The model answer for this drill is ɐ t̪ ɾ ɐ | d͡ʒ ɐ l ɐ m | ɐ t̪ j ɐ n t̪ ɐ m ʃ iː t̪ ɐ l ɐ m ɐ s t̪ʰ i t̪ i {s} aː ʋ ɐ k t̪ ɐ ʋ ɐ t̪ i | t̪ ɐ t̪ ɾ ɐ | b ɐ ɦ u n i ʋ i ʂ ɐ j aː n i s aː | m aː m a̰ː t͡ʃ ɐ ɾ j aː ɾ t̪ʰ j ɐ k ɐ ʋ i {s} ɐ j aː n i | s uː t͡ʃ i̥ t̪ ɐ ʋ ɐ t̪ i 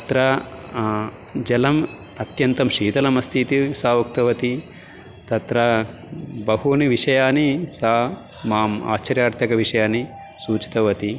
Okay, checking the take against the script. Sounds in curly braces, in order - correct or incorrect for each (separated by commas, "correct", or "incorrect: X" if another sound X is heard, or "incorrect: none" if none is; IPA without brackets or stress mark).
correct, incorrect: ʂ